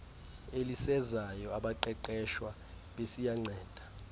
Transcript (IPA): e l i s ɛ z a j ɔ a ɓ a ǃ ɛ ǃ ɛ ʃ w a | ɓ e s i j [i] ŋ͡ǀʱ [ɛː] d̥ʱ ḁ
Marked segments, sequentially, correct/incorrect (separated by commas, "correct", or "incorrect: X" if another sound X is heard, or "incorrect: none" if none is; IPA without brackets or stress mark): incorrect: a, correct